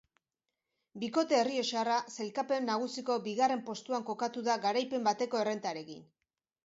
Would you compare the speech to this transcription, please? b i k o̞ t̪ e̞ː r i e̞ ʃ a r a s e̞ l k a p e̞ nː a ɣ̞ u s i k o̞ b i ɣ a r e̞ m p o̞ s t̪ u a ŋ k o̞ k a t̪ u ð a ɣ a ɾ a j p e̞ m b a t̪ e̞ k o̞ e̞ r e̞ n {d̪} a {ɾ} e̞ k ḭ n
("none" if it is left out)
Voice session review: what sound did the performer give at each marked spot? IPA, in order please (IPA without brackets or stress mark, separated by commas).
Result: t̪, ɾ